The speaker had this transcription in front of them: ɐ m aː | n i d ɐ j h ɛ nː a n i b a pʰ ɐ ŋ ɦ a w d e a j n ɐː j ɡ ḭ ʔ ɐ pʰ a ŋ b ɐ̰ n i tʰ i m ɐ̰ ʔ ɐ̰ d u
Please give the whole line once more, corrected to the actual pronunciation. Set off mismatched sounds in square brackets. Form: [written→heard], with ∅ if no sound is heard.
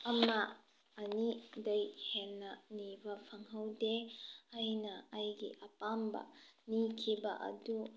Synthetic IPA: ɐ m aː | n i d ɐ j h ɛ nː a n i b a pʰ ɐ ŋ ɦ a w d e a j n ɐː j ɡ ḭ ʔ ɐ [pʰ→p] a [ŋ→m] b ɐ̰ n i [tʰ→kʰ] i [m→b] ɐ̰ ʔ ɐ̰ d u